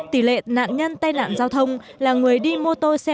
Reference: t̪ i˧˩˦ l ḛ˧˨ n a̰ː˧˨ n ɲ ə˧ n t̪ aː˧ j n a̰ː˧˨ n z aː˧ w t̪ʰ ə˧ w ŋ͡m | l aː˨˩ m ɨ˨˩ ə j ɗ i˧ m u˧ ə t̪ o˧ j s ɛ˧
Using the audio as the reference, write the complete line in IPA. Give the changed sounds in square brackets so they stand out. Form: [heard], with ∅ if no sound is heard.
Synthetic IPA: t̪ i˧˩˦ l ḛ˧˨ n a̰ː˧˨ n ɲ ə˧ n t̪ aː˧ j n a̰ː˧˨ n z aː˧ w t̪ʰ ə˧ w ŋ͡m | l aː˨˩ [ŋ] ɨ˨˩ ə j ɗ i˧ m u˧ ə t̪ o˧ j s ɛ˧